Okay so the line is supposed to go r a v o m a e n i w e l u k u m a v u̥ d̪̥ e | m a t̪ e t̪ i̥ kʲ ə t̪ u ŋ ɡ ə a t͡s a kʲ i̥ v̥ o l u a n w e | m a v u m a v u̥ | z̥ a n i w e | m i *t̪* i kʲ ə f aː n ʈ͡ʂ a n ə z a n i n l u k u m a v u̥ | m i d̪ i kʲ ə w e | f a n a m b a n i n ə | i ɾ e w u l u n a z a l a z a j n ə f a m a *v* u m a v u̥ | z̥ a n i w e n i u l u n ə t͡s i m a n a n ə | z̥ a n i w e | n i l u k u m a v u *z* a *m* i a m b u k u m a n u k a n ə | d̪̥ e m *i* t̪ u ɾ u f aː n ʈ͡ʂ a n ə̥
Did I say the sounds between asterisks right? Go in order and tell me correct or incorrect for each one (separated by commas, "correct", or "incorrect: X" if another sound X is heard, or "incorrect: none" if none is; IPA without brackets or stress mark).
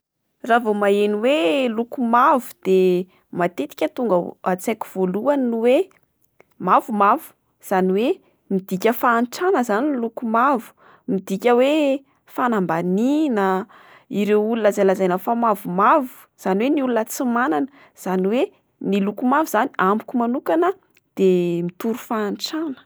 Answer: incorrect: d̪, correct, correct, incorrect: n, correct